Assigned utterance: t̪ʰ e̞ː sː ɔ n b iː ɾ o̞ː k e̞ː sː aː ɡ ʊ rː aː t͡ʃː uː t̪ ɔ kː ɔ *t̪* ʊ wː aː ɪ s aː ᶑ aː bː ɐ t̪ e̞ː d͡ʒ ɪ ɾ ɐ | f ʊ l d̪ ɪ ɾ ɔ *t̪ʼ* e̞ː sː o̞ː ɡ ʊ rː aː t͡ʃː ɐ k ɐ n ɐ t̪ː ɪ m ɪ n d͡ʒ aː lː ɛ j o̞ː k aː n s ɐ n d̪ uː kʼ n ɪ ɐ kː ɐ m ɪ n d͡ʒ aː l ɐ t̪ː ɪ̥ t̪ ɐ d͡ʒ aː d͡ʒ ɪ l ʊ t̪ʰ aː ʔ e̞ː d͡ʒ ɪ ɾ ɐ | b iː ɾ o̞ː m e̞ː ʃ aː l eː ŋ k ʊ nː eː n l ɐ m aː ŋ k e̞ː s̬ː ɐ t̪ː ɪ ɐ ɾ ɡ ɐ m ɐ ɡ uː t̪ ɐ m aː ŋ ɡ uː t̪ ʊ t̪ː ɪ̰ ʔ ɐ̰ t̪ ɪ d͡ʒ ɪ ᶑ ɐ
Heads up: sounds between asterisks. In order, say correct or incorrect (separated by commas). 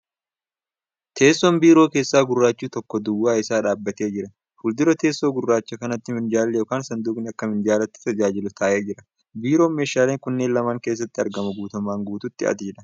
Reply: incorrect, incorrect